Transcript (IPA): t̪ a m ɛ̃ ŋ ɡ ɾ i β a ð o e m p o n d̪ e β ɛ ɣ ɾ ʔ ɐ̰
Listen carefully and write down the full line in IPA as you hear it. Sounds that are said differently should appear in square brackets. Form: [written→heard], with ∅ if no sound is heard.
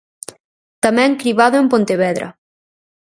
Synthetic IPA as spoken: t̪ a m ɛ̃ ŋ [ɡ→k] ɾ i β a ð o e m p o n [d̪→t̪] e β ɛ [ɣ→ð] ɾ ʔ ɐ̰